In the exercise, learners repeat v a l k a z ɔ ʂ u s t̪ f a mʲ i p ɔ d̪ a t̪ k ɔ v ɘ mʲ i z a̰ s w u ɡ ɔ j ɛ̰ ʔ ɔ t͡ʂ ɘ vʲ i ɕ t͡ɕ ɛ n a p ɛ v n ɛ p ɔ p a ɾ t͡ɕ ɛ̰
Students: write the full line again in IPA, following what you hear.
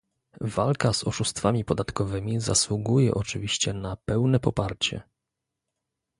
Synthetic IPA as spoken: v a l k a z ɔ ʂ u s t̪ f a mʲ i p ɔ d̪ a t̪ k ɔ v ɘ mʲ i z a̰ s w u ɡ u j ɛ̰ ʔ ɔ t͡ʂ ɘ vʲ i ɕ t͡ɕ ɛ n a p ɛ w n ɛ p ɔ p a ɾ t͡ɕ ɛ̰